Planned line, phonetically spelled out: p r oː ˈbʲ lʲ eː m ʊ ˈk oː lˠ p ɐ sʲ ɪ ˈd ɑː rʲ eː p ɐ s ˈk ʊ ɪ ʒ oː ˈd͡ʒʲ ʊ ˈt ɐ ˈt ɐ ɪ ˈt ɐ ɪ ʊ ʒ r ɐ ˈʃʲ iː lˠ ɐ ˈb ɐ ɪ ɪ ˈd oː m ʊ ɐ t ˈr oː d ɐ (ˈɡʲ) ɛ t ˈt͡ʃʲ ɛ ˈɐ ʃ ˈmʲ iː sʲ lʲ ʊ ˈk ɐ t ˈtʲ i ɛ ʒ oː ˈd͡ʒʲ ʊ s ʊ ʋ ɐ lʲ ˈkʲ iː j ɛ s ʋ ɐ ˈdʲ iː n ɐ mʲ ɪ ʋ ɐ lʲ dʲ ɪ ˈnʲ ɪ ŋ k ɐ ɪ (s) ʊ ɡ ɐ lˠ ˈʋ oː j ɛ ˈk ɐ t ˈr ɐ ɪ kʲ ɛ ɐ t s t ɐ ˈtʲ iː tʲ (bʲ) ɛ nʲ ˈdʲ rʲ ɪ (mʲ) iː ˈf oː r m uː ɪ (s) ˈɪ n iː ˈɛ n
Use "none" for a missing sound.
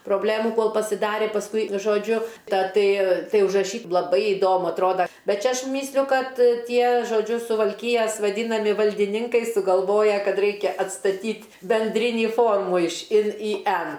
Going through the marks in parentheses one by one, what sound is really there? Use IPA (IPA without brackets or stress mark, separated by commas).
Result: bʲ, s, bʲ, nʲ, ʃ